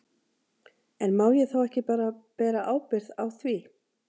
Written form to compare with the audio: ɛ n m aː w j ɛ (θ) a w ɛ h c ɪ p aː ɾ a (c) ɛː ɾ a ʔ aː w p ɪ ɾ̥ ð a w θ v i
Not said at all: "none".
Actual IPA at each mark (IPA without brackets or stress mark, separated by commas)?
θ, p